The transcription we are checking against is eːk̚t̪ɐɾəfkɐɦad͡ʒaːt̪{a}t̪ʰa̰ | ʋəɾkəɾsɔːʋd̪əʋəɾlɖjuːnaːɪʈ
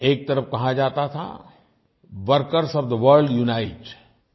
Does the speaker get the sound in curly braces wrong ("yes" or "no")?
no